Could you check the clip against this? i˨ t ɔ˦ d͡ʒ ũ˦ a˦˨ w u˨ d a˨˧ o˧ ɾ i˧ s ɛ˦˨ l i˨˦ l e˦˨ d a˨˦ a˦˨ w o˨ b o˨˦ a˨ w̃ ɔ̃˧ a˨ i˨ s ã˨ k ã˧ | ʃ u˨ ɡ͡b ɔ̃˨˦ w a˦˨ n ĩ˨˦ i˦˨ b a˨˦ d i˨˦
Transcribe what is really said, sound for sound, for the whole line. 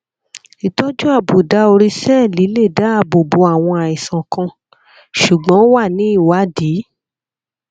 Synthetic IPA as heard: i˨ t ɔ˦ d͡ʒ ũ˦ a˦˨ b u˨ d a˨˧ o˧ ɾ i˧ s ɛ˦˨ l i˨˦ l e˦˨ d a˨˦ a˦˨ b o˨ b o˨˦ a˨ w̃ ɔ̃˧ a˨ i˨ s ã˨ k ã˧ | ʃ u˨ ɡ͡b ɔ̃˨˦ w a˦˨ n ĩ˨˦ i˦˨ w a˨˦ d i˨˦